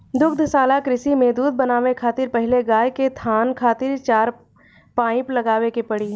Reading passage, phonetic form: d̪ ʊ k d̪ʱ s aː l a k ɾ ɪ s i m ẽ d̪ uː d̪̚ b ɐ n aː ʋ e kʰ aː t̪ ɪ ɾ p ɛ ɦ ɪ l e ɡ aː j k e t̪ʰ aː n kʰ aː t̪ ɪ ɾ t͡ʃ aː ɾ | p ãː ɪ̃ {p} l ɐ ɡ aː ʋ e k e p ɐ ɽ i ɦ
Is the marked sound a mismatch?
no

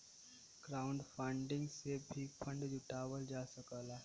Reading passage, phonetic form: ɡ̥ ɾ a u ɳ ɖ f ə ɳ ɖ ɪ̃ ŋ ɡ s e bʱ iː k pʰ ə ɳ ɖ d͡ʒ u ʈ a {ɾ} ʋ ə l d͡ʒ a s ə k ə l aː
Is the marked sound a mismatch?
yes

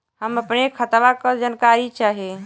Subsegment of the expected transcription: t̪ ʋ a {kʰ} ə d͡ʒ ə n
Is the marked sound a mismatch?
yes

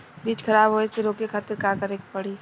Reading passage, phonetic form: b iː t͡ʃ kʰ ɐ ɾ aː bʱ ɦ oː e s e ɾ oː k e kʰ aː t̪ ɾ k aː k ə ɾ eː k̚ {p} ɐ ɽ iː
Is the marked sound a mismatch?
no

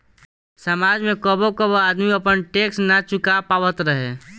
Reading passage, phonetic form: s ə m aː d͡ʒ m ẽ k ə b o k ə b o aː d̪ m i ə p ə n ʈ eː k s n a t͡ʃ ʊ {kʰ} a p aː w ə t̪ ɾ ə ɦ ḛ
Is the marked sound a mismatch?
yes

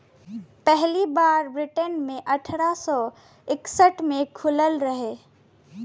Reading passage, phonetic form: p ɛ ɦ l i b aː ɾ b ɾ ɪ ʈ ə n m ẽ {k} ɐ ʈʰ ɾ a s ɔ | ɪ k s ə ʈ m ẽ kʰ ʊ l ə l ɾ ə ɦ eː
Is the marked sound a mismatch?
yes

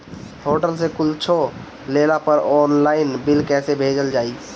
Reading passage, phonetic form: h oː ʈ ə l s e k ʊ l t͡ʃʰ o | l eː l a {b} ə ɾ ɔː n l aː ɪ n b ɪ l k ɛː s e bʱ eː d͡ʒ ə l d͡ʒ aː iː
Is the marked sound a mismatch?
yes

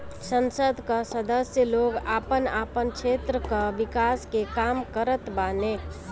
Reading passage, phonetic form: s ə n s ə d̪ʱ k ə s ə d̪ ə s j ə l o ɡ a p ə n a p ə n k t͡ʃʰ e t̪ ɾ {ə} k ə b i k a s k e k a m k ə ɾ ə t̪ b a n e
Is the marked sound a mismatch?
no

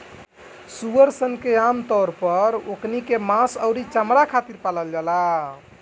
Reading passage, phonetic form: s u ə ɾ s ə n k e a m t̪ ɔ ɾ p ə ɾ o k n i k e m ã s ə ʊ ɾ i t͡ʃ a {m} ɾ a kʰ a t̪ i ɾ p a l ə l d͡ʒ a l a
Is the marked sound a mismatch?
no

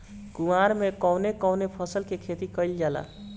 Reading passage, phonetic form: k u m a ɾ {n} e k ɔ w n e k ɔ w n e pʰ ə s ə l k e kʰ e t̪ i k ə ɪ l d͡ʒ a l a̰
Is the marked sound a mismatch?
yes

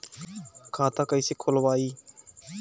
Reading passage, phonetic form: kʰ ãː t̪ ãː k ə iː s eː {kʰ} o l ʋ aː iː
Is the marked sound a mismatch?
no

